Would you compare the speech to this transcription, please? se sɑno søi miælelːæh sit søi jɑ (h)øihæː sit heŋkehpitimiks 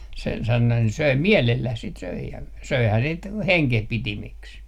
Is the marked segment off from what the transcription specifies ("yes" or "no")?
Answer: yes